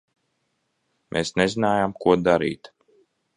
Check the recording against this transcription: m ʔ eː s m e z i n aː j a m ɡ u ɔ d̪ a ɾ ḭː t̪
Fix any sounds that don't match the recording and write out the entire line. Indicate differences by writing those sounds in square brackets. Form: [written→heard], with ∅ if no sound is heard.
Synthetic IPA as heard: m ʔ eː s [m→n] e z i n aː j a m [ɡ→k] u ɔ d̪ a ɾ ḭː t̪